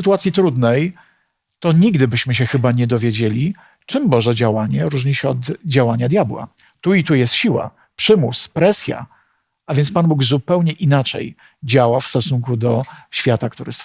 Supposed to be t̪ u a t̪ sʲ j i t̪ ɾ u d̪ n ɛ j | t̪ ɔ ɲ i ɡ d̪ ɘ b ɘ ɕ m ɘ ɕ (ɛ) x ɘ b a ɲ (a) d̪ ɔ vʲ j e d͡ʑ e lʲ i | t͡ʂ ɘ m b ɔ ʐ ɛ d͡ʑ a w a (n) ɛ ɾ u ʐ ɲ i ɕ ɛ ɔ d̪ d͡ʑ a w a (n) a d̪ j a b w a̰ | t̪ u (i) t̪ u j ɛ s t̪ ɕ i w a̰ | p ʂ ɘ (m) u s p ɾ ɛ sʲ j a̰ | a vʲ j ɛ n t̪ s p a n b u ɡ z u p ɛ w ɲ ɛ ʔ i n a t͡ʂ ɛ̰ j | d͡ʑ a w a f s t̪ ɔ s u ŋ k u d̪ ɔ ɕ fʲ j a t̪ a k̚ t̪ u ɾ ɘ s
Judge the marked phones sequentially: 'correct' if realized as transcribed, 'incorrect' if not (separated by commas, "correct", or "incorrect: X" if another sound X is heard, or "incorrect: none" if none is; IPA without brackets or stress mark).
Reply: correct, incorrect: ɛ, incorrect: ɲ, incorrect: ɲ, correct, correct